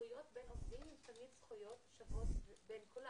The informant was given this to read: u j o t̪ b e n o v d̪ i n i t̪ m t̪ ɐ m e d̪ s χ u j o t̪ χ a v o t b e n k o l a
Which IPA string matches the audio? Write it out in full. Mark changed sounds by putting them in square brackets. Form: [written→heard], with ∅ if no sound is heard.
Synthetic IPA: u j o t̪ b e n o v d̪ i [n→m] i [t̪→∅] m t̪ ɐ m [e→i] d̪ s χ u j o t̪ [χ→ʃ] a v o t b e n k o l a